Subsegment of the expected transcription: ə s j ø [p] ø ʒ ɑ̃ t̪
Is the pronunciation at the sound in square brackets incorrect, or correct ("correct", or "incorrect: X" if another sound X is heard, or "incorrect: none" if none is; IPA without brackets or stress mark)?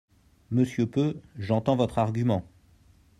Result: correct